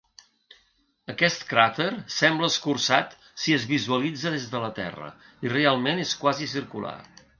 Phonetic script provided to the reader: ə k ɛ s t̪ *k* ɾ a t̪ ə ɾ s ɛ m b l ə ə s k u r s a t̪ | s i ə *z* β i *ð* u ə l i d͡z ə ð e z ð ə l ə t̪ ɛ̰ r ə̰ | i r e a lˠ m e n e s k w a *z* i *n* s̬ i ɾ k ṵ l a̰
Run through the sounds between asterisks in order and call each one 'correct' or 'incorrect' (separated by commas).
correct, correct, incorrect, correct, incorrect